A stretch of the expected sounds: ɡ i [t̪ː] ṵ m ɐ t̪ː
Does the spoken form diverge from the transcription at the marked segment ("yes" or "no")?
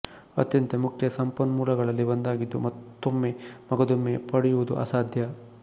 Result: yes